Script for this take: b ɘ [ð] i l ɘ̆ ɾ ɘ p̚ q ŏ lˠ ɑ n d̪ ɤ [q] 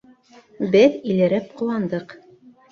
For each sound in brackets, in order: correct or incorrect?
correct, correct

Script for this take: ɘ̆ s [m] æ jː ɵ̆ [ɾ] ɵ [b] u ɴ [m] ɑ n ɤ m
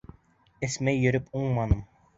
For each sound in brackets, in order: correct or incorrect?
correct, correct, incorrect: p, correct

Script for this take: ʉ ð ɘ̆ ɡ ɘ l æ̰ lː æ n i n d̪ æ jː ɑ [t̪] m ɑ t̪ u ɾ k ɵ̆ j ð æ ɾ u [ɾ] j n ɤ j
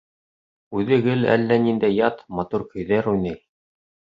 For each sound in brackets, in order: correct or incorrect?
correct, incorrect: none

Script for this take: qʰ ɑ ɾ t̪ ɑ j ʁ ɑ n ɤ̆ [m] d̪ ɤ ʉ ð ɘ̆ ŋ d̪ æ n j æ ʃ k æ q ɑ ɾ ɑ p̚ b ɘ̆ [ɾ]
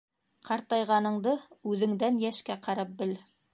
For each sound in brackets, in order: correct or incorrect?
incorrect: ɴ, incorrect: l

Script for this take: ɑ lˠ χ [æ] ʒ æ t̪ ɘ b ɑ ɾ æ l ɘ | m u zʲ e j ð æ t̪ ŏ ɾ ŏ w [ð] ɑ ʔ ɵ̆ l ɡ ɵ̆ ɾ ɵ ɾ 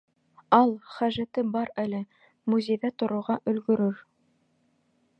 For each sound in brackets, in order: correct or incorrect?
correct, incorrect: ʁ

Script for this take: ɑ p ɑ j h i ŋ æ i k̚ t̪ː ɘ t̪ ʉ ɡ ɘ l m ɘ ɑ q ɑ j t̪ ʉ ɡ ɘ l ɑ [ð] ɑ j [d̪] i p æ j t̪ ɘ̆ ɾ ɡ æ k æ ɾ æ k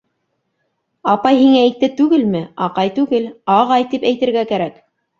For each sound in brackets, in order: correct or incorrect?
incorrect: ʁ, incorrect: t̪

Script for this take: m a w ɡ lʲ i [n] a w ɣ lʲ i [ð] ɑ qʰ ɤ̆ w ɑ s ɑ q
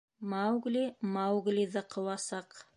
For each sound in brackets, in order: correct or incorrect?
incorrect: m, correct

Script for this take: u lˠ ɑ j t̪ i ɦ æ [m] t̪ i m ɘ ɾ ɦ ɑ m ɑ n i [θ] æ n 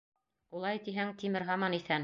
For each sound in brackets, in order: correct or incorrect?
incorrect: ŋ, correct

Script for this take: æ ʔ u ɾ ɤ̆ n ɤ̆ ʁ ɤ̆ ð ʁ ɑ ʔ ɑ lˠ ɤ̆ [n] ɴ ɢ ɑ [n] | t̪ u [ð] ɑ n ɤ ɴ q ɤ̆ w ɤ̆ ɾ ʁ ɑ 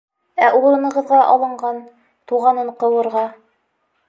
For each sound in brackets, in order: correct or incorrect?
incorrect: none, correct, incorrect: ʁ

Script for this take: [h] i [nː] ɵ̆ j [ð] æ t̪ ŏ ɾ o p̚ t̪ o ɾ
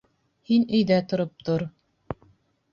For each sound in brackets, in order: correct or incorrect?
correct, incorrect: n, correct

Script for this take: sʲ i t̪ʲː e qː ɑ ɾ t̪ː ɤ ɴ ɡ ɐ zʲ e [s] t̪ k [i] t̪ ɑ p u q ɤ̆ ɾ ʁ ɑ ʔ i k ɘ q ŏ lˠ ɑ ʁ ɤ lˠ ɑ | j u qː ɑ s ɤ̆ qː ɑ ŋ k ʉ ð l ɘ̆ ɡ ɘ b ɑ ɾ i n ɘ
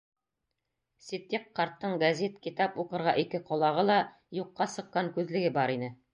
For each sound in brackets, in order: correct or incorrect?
incorrect: none, correct

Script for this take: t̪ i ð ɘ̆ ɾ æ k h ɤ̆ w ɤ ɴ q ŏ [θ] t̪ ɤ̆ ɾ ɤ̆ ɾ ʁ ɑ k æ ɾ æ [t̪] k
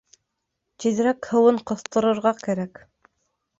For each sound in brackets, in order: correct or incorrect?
correct, incorrect: none

